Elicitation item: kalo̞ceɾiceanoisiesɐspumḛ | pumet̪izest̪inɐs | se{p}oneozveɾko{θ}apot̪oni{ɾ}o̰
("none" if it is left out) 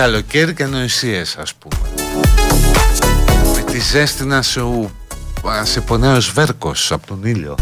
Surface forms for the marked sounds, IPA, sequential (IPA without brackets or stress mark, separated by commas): p, s, ʎ